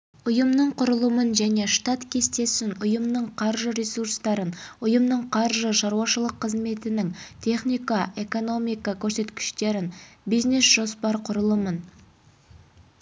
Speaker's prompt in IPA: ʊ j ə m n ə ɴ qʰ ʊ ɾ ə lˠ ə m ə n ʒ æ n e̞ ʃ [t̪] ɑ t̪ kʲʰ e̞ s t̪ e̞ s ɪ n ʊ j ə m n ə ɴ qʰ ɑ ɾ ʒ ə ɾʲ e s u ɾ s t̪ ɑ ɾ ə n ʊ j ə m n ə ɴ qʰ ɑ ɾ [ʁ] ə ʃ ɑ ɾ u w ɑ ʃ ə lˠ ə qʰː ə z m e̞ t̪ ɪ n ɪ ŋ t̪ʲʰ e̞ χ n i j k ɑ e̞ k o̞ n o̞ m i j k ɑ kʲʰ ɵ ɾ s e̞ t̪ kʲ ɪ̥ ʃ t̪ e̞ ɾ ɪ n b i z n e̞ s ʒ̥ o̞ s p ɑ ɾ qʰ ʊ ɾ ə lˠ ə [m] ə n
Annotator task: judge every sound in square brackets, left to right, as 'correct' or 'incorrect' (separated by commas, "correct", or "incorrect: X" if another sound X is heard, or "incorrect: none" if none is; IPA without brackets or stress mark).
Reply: correct, incorrect: ʒ, correct